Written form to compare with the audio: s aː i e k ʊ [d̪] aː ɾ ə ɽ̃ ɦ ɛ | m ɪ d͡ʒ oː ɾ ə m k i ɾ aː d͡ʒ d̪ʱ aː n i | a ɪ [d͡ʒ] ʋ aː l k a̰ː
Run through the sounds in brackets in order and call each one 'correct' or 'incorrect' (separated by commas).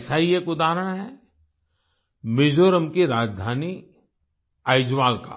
correct, correct